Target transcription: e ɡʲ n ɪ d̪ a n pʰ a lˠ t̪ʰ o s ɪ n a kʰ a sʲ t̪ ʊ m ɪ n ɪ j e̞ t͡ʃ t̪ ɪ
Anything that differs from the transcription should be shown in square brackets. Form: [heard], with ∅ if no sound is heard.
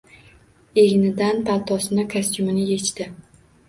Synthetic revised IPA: e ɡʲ n ɪ d̪ a n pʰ a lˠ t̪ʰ [ɒ] s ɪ n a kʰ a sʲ t̪ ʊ m ɪ n ɪ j e̞ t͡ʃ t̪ ɪ